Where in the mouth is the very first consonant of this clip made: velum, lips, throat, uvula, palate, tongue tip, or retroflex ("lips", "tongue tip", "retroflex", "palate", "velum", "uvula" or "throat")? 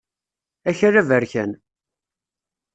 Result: palate